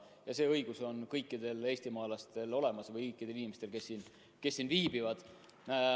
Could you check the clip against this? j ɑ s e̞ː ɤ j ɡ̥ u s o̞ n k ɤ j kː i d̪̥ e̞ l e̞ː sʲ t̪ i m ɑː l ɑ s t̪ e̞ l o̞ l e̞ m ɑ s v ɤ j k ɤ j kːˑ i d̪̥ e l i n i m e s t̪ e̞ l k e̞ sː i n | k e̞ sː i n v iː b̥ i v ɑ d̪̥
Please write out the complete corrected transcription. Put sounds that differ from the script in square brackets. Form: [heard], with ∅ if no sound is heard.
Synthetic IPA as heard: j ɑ s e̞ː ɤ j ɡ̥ u s o̞ n k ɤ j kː i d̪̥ e̞ l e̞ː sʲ t̪ i m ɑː l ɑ s t̪ e̞ l o̞ l e̞ m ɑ s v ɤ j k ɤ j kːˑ i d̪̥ e l i n i m e s t̪ e̞ l k e̞ sː i n | k e̞ sː i n v iː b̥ i v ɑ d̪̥